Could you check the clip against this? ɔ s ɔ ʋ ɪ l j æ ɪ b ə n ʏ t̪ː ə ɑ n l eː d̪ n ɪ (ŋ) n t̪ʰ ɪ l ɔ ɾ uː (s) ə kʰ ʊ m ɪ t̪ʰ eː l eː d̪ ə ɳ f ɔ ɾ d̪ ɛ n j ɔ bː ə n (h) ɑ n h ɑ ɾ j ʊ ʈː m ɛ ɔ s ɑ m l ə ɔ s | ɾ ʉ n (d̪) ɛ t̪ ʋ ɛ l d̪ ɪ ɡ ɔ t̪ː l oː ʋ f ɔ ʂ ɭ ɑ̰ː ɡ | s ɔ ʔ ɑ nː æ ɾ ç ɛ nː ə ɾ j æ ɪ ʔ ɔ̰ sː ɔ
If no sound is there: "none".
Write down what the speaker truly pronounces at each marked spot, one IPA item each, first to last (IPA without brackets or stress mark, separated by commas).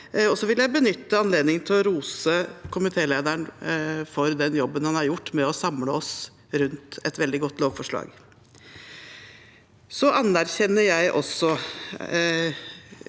ŋ, s, h, t̪